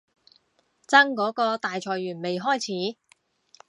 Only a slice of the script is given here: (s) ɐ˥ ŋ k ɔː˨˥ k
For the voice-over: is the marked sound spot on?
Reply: no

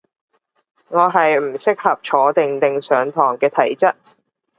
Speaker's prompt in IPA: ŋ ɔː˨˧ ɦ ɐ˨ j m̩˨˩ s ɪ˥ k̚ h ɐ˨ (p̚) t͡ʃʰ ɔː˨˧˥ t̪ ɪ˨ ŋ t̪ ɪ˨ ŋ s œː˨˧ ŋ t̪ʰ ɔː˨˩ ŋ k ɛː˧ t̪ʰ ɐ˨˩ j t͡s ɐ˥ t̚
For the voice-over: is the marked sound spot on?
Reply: yes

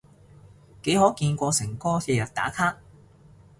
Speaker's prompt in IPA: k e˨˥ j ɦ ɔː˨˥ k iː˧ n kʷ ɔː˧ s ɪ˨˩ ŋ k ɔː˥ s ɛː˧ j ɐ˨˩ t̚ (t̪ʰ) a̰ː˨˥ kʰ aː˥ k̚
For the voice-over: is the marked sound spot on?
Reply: no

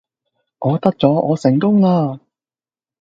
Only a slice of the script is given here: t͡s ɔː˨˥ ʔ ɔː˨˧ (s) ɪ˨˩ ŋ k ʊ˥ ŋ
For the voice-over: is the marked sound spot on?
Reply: yes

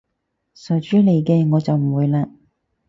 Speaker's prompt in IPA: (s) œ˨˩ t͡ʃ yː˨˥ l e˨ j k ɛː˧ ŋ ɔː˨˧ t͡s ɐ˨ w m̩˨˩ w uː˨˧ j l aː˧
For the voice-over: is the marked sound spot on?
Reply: yes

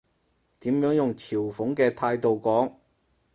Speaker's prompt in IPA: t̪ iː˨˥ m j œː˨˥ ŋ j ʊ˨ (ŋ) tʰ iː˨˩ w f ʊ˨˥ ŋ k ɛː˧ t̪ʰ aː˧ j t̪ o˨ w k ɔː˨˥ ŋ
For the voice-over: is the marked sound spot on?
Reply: yes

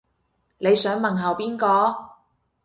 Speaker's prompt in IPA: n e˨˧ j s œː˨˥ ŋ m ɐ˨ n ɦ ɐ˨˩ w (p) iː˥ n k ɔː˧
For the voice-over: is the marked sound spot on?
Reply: yes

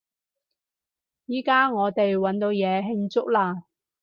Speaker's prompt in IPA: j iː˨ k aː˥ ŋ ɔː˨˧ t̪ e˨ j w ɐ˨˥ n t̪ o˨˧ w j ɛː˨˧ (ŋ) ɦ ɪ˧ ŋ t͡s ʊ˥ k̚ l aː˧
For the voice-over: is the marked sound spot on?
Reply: no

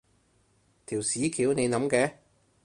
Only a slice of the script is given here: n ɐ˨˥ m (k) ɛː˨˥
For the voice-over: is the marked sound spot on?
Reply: yes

